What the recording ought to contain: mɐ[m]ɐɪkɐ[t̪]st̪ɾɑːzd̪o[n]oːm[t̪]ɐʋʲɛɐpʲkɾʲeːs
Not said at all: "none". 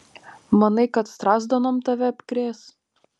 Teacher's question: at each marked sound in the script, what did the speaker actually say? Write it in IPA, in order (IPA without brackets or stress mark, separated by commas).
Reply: n, t̪, n, t̪